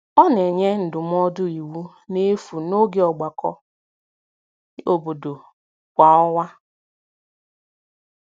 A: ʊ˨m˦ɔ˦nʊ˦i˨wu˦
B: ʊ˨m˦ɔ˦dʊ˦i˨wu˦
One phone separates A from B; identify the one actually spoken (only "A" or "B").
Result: B